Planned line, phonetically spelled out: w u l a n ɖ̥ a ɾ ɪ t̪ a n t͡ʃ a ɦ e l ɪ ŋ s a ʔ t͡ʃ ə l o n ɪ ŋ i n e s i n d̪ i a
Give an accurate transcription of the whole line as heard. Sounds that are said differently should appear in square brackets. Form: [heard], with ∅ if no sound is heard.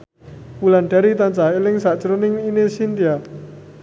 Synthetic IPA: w u l a n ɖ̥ a ɾ [i] t̪ a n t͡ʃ a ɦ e l ɪ ŋ s a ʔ t͡ʃ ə [ɾ] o n ɪ ŋ i n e s i n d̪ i a